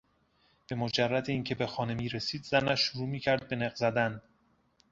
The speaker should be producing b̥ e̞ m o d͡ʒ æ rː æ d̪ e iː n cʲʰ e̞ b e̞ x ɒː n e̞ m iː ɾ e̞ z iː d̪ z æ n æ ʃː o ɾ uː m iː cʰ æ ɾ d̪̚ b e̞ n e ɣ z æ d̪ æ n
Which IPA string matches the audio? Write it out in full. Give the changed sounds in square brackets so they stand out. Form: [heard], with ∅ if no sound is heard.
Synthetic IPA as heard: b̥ e̞ m o d͡ʒ æ rː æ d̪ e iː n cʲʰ e̞ b e̞ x ɒː n e̞ m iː ɾ e̞ [s] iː d̪ z æ n æ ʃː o ɾ uː m iː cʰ æ ɾ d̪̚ b e̞ n e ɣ z æ d̪ æ n